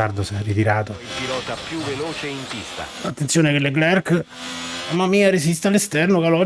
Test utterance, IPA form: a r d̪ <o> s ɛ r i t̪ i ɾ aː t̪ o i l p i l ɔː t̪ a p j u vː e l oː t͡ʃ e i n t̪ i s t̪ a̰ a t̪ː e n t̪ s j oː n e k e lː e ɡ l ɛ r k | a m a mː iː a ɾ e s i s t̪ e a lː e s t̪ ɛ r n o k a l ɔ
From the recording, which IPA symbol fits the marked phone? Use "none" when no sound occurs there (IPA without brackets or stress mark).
o